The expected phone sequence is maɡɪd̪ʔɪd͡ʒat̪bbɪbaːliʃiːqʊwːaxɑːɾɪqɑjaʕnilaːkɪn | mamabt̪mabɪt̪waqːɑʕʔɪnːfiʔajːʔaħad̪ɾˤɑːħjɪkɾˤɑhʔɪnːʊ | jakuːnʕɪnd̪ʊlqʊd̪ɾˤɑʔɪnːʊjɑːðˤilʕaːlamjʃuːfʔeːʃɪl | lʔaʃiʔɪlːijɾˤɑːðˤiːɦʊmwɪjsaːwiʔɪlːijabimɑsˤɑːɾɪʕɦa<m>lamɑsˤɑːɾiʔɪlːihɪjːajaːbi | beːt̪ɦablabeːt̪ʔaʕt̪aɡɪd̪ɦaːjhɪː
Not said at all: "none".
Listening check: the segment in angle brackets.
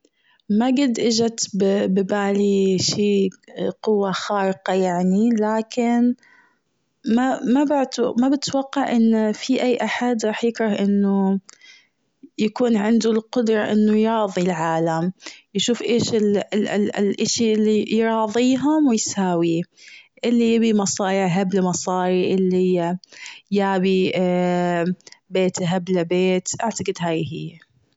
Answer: b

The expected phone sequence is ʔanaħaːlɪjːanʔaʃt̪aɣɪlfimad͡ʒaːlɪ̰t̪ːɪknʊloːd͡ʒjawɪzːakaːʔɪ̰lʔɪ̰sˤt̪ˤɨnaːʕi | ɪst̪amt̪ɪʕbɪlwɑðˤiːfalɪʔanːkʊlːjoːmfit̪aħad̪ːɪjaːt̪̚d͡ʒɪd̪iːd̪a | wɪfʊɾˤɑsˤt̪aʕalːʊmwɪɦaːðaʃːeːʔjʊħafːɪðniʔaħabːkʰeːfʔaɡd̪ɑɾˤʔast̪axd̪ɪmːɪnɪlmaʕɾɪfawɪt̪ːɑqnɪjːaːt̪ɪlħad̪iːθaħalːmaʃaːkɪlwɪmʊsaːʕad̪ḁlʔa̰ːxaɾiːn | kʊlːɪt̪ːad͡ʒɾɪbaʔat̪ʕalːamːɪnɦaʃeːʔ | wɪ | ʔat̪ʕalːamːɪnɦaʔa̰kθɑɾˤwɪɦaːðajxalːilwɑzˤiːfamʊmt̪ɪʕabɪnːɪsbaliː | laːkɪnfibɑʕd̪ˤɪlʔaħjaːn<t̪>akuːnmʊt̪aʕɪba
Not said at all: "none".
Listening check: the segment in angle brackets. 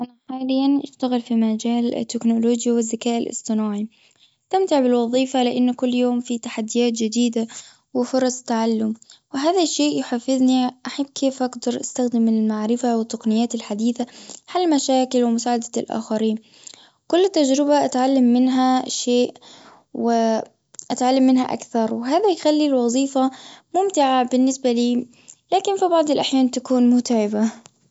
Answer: t̪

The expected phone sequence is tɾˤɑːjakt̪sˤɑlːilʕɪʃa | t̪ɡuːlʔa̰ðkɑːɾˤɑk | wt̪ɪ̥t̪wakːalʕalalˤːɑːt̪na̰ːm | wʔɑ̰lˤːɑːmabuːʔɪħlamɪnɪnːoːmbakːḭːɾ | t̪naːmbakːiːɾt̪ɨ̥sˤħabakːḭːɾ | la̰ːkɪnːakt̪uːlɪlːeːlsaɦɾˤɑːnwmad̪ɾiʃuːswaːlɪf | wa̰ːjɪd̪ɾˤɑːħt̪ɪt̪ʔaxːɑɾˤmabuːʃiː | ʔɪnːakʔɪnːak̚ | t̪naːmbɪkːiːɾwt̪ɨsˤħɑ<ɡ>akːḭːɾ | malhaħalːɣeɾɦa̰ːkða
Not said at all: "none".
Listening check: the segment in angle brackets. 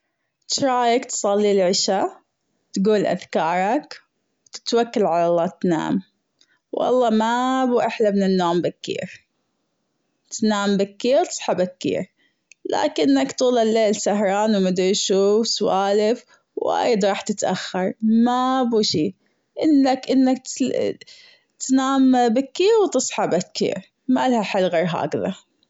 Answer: b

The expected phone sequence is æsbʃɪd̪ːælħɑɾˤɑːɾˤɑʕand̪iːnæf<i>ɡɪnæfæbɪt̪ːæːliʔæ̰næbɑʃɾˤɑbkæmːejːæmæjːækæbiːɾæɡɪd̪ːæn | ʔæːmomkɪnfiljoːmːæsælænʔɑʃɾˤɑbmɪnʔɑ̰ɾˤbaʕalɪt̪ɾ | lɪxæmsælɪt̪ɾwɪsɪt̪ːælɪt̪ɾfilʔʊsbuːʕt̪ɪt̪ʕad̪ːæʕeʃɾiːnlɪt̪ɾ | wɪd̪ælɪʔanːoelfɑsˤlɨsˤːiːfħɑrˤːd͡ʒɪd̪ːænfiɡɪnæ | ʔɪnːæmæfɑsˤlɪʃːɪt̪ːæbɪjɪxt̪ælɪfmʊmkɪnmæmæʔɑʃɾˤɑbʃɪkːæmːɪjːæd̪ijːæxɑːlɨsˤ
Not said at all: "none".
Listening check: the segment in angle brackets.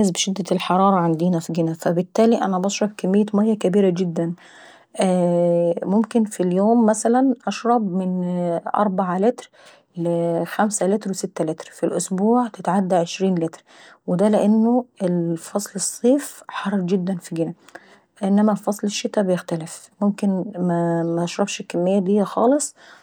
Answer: i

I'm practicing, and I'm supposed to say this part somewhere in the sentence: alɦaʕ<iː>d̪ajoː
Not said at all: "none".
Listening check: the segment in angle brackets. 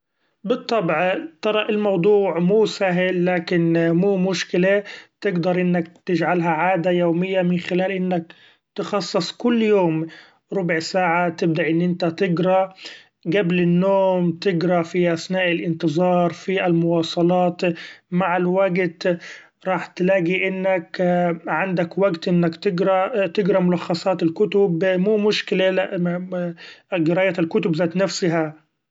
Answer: aː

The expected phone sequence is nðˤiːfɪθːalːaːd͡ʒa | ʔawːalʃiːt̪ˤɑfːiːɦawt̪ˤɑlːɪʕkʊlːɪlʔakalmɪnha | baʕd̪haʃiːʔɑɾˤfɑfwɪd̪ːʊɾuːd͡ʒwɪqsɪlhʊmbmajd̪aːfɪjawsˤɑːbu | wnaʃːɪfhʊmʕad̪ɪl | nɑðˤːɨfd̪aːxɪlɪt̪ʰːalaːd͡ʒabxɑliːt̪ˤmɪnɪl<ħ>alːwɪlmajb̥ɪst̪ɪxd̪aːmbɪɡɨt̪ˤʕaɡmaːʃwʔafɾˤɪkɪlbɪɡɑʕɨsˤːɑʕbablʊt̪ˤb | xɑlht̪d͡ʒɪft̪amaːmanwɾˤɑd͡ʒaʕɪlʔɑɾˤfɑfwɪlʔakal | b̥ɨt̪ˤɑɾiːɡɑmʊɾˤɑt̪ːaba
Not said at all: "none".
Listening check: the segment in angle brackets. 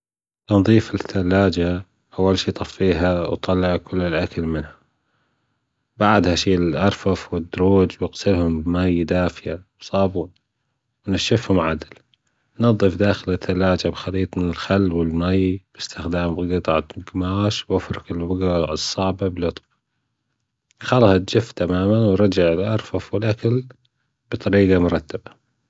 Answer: x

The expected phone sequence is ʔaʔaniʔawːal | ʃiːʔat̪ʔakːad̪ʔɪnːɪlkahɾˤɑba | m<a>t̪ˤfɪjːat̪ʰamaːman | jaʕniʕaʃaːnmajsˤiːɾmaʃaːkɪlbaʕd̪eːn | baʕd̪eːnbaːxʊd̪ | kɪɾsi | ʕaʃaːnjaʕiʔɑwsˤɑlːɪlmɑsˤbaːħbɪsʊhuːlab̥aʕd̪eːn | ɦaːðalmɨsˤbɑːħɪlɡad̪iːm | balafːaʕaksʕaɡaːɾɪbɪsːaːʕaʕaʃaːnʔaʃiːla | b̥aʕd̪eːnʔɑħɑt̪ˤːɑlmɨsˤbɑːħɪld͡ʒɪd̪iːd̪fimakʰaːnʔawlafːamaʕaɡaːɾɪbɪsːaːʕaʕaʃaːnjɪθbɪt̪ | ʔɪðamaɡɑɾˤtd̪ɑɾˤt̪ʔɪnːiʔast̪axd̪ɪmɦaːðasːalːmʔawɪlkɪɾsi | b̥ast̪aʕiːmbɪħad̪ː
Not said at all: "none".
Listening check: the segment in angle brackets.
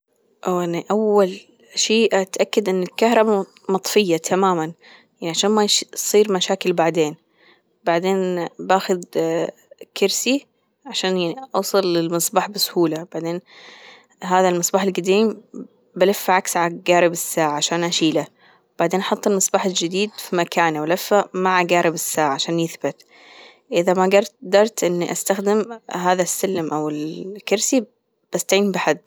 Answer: ɑ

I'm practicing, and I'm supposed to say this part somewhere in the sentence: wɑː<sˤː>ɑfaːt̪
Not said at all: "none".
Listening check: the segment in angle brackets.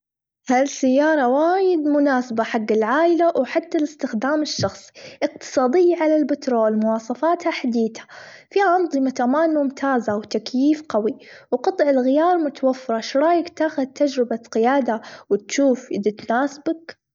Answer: sˤ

